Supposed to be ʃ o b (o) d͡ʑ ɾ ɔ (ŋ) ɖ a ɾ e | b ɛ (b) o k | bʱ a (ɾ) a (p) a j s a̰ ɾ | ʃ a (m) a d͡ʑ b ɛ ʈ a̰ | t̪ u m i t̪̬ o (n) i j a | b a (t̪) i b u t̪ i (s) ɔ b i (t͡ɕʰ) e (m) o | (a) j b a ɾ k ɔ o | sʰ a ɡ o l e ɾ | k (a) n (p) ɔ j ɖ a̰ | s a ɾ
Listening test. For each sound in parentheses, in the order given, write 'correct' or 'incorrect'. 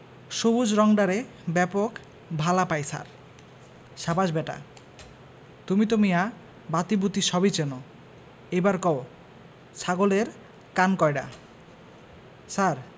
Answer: incorrect, correct, incorrect, incorrect, correct, incorrect, incorrect, correct, incorrect, incorrect, incorrect, incorrect, correct, incorrect

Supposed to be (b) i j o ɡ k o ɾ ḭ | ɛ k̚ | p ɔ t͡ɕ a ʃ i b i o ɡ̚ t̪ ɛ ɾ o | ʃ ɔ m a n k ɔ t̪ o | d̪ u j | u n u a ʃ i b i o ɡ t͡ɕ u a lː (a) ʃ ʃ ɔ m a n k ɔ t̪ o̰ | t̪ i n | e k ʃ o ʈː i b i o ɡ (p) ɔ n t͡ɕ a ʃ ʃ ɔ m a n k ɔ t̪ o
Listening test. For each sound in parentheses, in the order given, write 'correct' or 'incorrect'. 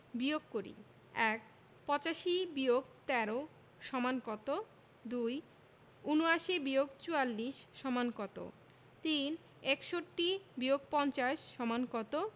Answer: correct, incorrect, correct

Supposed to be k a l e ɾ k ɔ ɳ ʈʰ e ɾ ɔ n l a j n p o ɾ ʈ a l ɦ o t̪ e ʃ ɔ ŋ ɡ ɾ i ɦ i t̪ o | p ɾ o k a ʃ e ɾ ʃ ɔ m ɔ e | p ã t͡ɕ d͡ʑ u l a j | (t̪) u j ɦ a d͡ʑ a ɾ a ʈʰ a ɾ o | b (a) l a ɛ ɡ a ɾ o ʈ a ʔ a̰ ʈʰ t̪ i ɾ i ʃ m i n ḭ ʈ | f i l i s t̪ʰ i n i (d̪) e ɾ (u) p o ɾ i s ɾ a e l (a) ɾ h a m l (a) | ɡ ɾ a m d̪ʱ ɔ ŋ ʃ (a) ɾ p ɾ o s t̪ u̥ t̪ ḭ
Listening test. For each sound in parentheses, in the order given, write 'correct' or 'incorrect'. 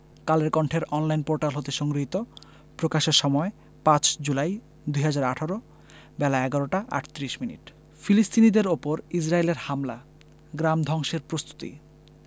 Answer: incorrect, incorrect, correct, incorrect, incorrect, correct, incorrect

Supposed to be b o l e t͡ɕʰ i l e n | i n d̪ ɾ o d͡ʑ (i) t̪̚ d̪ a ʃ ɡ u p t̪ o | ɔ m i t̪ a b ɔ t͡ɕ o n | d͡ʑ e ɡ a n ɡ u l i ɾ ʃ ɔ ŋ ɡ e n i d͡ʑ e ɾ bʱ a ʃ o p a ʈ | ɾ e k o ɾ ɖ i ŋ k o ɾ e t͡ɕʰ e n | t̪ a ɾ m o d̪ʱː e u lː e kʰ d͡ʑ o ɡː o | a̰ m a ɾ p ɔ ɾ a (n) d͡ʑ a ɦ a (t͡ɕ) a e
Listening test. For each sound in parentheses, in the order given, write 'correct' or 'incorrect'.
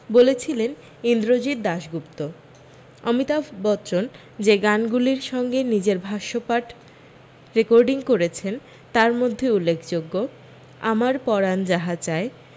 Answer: correct, correct, correct

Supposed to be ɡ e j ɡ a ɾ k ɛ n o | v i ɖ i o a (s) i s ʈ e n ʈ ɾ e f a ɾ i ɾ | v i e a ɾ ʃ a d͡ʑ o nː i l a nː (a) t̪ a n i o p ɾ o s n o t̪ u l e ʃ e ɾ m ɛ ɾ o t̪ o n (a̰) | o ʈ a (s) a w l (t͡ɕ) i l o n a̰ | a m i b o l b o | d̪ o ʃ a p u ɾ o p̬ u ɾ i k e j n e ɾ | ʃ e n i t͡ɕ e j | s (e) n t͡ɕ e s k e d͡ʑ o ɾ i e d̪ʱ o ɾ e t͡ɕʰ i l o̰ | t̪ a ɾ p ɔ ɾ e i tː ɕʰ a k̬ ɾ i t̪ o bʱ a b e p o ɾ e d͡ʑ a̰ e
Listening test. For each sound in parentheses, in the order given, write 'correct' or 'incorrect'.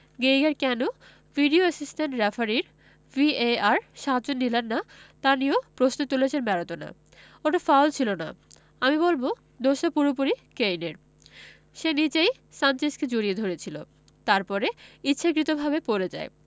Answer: correct, correct, correct, incorrect, incorrect, incorrect

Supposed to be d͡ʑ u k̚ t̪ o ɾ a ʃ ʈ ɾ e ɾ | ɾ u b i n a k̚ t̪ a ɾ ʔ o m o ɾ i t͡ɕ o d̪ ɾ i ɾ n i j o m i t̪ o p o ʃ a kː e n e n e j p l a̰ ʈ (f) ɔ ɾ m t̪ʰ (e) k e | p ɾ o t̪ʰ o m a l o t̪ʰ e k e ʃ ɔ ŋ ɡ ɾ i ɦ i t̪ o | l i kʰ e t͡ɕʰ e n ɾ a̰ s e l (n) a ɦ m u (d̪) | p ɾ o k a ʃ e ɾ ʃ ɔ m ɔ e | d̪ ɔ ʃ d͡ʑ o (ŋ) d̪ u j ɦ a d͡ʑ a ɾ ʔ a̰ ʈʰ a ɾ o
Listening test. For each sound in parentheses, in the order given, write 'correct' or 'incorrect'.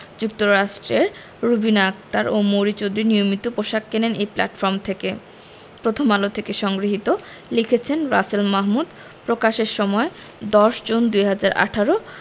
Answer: correct, correct, incorrect, correct, incorrect

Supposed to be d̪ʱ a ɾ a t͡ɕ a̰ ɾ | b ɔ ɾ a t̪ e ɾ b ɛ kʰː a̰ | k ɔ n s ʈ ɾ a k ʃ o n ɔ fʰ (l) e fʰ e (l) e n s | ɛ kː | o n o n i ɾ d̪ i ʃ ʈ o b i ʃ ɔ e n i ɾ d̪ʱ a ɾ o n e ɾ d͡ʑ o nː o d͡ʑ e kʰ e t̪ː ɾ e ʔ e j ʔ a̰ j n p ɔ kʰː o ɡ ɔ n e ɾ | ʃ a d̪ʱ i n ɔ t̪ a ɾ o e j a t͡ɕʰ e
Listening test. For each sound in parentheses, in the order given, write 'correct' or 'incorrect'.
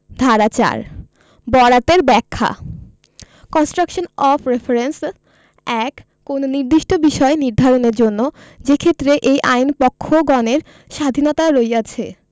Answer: incorrect, incorrect

